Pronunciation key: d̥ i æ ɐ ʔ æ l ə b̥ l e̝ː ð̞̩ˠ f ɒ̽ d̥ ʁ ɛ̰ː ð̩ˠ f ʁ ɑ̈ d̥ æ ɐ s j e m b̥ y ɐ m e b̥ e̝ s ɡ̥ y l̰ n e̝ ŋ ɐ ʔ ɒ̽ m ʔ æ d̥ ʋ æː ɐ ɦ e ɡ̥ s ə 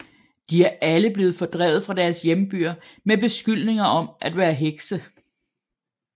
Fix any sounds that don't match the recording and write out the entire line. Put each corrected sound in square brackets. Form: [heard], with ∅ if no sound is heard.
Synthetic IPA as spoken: d̥ i æ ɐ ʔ æ l ə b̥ l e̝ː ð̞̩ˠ f ɒ̽ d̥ ʁ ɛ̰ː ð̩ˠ f ʁ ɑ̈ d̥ æ ɐ s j e m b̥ y ɐ m e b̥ e̝ s ɡ̥ y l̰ n e̝ ŋ ɐ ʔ ɒ̽ m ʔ æ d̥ ʋ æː ɐ ɦ e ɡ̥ s ə